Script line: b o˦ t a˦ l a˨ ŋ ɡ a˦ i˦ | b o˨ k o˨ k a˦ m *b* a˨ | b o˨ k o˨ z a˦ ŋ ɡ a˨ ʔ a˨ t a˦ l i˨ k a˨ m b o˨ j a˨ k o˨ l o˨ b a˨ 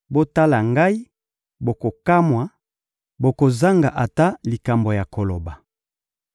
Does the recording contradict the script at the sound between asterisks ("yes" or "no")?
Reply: yes